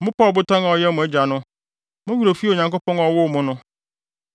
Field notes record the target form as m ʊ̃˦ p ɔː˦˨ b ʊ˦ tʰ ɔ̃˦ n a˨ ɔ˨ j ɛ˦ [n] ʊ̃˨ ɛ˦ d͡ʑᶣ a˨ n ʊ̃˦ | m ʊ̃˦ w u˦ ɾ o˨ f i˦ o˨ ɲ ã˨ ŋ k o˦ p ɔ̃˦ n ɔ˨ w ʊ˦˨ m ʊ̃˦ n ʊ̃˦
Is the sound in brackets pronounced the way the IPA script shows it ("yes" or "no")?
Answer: no